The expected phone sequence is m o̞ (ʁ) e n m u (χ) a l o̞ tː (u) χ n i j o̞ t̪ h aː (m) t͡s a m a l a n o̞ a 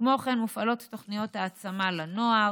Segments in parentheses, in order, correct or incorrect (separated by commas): incorrect, incorrect, incorrect, incorrect